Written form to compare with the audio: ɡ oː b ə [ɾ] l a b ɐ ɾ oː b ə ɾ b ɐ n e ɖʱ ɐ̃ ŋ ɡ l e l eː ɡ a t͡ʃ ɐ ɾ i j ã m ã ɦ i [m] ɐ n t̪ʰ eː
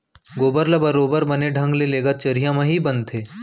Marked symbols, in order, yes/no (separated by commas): yes, no